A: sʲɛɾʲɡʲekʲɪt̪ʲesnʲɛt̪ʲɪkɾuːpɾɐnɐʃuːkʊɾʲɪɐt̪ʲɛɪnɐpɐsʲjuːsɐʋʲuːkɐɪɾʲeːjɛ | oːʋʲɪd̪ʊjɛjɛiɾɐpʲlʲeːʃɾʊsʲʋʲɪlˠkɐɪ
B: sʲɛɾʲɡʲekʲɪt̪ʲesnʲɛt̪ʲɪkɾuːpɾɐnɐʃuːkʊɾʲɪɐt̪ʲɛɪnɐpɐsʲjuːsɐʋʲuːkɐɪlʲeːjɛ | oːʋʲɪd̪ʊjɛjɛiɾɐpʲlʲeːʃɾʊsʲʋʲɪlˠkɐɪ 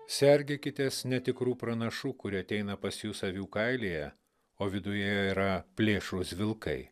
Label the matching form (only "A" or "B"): B